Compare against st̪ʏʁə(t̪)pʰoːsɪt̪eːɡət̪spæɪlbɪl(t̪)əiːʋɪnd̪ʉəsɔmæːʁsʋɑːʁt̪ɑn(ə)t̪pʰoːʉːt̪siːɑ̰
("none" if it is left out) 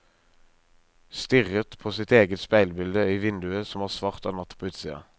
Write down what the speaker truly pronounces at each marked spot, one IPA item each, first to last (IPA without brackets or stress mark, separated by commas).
t̪, d̪, ɑ